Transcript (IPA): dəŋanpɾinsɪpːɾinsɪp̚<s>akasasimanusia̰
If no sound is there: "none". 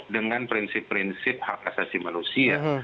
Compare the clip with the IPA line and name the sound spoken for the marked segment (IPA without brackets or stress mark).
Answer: h